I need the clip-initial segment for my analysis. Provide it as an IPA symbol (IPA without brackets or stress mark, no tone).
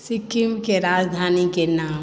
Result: s